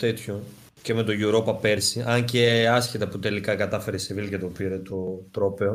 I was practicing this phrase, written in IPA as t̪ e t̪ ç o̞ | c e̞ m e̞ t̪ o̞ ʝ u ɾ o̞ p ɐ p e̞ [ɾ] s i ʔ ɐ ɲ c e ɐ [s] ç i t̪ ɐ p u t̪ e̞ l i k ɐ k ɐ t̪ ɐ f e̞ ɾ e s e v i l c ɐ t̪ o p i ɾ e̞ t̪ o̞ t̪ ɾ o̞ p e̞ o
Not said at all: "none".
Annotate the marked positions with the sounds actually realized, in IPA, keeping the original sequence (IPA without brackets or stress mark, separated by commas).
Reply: ɾ, s